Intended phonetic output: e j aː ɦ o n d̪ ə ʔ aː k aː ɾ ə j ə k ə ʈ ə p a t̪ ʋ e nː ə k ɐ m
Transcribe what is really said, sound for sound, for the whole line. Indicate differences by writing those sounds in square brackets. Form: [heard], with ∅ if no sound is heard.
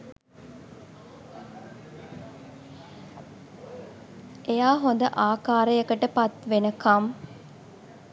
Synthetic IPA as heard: e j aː ɦ o n d̪ ə ʔ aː k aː ɾ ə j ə k ə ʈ ə p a t̪ ʋ e [n] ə k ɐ m